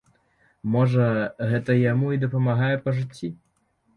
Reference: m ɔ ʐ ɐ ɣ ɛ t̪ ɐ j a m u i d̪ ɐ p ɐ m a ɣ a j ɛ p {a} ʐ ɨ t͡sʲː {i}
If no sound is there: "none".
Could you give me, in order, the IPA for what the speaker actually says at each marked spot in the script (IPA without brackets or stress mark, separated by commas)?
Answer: ɐ, i